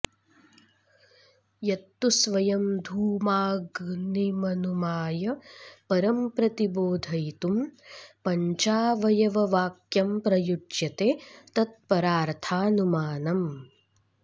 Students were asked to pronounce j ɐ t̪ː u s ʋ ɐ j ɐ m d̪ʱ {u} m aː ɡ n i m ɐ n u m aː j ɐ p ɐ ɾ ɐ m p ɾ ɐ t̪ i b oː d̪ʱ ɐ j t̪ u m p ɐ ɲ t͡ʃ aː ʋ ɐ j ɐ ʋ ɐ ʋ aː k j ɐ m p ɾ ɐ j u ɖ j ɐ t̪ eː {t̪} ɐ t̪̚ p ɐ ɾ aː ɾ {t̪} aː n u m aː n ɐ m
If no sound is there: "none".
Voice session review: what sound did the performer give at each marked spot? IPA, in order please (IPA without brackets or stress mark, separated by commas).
uː, t̪, t̪ʰ